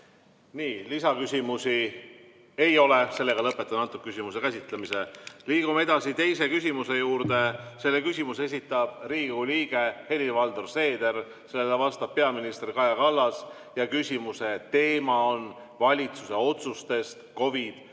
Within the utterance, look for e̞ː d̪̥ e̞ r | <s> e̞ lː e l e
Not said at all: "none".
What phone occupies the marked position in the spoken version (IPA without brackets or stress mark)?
s